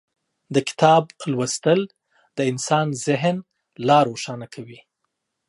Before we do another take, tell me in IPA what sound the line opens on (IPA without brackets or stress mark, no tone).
d̪